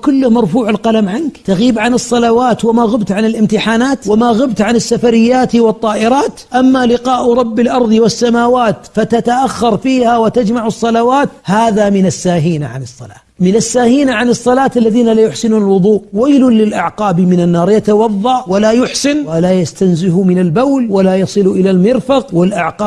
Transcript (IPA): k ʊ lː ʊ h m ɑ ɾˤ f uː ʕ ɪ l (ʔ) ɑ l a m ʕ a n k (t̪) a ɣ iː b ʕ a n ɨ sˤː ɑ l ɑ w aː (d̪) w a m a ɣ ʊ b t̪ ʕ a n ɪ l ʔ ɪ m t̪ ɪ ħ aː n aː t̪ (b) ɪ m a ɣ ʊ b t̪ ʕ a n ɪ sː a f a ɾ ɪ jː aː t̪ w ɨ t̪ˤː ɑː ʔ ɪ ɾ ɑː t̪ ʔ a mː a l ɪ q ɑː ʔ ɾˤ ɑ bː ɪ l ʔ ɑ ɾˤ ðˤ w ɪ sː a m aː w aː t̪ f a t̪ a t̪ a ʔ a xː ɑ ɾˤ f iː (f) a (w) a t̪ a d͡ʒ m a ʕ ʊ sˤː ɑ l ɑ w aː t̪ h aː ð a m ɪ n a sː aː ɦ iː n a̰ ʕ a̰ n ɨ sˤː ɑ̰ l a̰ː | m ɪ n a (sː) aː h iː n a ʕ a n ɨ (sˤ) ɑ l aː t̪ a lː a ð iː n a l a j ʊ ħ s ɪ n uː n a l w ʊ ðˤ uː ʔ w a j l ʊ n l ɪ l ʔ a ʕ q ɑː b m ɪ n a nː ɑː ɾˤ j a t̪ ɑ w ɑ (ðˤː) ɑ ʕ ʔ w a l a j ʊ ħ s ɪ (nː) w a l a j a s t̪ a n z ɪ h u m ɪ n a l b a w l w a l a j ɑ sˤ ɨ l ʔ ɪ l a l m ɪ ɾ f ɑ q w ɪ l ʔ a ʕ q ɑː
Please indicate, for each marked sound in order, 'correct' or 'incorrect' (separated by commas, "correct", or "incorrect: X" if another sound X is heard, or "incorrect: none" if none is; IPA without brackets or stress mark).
incorrect: q, correct, incorrect: t̪, incorrect: w, incorrect: h, correct, correct, incorrect: sˤː, correct, incorrect: n